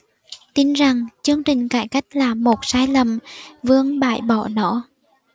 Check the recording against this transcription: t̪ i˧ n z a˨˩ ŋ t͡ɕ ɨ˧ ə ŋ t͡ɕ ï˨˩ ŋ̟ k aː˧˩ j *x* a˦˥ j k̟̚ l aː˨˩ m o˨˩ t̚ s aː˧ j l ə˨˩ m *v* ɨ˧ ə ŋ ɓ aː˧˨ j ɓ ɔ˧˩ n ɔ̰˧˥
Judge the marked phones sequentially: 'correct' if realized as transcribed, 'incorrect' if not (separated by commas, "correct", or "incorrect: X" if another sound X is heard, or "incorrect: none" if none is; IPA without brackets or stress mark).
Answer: incorrect: k, correct